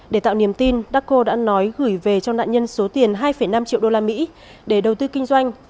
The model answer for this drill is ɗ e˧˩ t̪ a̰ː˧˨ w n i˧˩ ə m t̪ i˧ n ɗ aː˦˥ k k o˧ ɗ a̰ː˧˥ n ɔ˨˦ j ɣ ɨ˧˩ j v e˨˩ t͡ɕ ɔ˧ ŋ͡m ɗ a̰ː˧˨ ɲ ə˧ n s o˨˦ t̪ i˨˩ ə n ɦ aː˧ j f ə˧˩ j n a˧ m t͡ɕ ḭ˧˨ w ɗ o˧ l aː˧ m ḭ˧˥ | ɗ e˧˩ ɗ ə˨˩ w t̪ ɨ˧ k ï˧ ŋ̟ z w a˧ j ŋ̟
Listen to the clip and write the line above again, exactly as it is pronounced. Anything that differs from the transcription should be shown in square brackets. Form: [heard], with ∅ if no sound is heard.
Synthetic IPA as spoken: ɗ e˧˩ t̪ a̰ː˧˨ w n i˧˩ ə m t̪ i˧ n ɗ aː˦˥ k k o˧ ɗ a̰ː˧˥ n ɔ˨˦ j ɣ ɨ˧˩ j v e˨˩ t͡ɕ ɔ˧ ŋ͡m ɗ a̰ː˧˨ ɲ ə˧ n s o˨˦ t̪ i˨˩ ə n ɦ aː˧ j f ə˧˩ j n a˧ m t͡ɕ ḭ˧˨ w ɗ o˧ l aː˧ m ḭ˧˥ | ɗ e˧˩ ɗ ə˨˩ w t̪ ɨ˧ k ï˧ ŋ̟ z w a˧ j ŋ̟